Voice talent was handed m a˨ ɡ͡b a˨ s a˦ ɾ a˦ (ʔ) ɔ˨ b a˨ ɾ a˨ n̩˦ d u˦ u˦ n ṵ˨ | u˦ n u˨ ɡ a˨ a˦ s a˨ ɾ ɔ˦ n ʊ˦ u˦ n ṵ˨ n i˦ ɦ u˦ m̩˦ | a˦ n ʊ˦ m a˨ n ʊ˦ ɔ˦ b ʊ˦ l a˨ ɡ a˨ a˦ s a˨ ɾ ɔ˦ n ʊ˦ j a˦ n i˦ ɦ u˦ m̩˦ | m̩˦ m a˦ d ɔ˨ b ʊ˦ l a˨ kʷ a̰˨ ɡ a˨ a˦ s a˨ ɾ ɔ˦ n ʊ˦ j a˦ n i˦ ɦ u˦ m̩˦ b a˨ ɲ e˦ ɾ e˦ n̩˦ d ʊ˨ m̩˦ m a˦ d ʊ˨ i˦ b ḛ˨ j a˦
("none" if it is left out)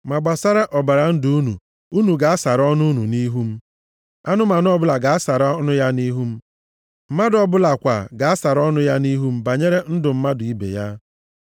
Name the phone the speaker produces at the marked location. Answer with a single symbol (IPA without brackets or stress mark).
ʔ